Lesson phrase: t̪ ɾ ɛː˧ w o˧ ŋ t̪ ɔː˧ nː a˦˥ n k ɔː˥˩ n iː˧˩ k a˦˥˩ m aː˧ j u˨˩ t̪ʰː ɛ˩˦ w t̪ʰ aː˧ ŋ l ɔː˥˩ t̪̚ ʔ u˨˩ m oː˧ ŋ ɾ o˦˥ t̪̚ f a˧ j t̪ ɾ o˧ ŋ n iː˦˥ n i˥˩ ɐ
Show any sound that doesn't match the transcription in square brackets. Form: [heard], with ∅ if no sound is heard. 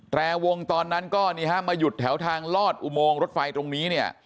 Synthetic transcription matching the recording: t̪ ɾ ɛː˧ w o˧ ŋ t̪ ɔː˧ nː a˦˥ n k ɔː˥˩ n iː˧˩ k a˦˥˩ m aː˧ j u˨˩ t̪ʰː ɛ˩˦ w t̪ʰ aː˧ ŋ l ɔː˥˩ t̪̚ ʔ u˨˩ m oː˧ ŋ ɾ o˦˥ t̪̚ f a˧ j t̪ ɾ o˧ ŋ n iː˦˥ n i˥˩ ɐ

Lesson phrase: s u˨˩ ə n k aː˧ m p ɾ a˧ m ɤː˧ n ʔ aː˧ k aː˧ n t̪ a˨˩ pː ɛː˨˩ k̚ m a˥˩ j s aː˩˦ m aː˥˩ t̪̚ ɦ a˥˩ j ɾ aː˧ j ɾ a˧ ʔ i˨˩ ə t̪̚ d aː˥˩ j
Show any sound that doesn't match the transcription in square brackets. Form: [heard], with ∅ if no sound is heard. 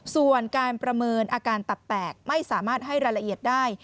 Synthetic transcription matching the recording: s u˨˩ ə n k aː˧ [n] p ɾ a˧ m ɤː˧ n ʔ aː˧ k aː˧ n t̪ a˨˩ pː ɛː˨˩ k̚ m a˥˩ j s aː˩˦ m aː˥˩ t̪̚ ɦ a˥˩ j ɾ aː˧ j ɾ a˧ ʔ i˨˩ ə t̪̚ d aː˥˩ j

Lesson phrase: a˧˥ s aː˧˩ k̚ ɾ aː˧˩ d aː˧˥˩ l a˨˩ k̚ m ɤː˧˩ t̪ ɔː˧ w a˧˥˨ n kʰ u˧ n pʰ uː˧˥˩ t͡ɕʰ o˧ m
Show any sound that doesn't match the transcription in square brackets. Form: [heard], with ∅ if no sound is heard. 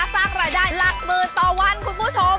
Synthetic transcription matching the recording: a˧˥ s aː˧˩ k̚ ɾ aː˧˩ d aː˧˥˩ l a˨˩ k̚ m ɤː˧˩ t̪ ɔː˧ w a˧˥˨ n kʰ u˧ n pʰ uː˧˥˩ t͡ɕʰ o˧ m

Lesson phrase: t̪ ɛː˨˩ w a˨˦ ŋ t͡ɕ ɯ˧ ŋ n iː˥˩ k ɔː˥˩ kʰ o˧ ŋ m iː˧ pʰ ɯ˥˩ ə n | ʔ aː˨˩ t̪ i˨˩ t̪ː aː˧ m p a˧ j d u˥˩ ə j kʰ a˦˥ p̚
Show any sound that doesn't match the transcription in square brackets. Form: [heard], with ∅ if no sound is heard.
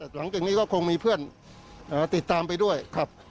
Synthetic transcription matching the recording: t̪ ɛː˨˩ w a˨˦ ŋ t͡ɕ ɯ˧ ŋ n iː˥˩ k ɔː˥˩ kʰ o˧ ŋ m iː˧ pʰ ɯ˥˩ ə n | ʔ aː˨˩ t̪ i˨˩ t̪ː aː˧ m p a˧ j d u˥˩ ə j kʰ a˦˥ p̚

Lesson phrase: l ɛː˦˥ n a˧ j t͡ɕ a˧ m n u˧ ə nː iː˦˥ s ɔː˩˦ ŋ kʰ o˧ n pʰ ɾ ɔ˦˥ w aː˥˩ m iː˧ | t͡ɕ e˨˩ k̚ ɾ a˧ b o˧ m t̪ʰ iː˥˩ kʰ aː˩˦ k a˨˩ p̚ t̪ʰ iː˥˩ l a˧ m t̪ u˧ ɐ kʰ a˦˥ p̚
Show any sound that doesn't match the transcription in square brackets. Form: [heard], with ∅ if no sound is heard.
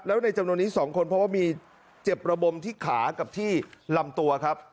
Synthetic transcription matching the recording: l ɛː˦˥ n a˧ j t͡ɕ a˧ m n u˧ ə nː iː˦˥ s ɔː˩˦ ŋ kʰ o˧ n pʰ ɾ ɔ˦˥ w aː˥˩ m iː˧ | t͡ɕ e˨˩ [p̚] ɾ a˧ b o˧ m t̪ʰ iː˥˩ kʰ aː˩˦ k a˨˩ p̚ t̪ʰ iː˥˩ l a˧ m t̪ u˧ ɐ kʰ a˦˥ p̚

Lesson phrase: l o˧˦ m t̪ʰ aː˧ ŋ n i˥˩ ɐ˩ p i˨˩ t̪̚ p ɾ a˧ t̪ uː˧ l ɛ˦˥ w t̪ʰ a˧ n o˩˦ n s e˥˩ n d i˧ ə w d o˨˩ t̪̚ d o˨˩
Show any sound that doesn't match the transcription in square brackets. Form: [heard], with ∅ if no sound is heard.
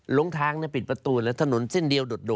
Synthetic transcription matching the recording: l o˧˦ [ŋ] t̪ʰ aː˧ ŋ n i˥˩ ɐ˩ p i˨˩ t̪̚ p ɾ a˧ t̪ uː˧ l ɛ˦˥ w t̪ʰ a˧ n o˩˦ n s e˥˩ n d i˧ ə w d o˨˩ t̪̚ d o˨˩

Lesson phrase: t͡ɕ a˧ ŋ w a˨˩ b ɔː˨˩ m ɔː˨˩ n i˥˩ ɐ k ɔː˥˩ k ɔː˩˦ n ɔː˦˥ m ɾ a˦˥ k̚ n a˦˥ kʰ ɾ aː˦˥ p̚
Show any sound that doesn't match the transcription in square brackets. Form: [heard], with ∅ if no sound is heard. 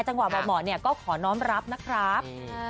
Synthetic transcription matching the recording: t͡ɕ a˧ ŋ w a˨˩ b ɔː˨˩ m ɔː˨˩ n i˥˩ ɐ k ɔː˥˩ [kʰ] ɔː˩˦ n ɔː˦˥ m ɾ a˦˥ [p̚] n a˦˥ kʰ ɾ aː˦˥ p̚

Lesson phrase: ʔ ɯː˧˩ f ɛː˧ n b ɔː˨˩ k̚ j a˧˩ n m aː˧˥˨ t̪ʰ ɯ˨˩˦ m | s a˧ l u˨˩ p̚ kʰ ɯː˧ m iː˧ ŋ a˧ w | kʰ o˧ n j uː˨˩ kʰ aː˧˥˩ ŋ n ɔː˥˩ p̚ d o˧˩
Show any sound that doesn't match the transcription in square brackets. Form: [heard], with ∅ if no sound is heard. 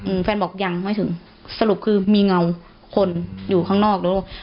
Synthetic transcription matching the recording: ʔ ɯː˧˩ f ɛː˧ n b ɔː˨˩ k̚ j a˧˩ [ŋ] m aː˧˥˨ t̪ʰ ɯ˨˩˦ [ŋ] | s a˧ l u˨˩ p̚ kʰ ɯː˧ m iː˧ ŋ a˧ w | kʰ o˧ n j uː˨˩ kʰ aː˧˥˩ ŋ n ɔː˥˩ [k̚] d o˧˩

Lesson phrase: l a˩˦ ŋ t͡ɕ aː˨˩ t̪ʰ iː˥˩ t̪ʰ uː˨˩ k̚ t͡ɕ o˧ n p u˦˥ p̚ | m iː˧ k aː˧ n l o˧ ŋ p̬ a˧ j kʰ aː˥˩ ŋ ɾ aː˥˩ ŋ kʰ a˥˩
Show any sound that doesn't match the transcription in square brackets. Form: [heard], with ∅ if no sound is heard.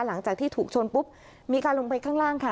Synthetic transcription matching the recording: l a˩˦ ŋ t͡ɕ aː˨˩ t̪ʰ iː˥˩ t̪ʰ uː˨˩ k̚ [t͡ɕʰ] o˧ n p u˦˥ p̚ | m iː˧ k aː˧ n l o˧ ŋ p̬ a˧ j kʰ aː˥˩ ŋ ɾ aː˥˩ ŋ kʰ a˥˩

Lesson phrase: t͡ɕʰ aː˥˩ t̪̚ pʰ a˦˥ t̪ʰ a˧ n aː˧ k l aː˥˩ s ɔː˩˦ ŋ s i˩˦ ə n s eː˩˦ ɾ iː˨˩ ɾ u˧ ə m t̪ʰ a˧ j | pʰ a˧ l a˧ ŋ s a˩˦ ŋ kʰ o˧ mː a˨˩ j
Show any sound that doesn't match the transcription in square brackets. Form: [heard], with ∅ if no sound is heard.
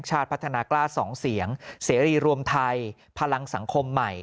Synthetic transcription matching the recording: t͡ɕʰ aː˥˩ t̪̚ pʰ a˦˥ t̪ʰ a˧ n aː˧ k l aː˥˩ s ɔː˩˦ ŋ s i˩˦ ə [ŋ] s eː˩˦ ɾ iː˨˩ ɾ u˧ ə m t̪ʰ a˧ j | pʰ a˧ l a˧ ŋ s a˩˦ ŋ kʰ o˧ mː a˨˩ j

